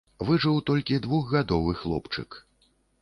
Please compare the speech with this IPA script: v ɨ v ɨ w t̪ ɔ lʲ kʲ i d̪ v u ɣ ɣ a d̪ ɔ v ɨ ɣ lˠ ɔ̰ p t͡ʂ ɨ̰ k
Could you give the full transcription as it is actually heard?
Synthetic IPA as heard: v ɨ ʐ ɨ w t̪ ɔ lʲ kʲ i d̪ v u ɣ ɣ a d̪ ɔ v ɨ x lˠ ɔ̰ p t͡ʂ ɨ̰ k

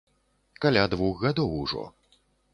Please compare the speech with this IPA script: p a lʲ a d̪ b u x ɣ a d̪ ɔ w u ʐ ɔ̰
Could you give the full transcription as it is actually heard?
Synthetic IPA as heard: k a lʲ a d̪ v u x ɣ a d̪ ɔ w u ʐ ɔ̰

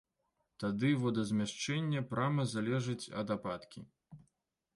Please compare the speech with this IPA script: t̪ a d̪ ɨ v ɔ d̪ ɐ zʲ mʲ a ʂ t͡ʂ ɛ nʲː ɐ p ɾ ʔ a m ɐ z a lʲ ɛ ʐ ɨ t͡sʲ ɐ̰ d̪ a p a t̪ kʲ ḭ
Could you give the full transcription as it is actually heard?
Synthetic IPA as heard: t̪ a d̪ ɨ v ɔ d̪ ɐ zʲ mʲ a ʂ t͡ʂ ɛ nʲː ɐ p ɾ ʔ a m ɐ z a lʲ ɛ ʐ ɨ t͡sʲ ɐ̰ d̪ a p a t̪ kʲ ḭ

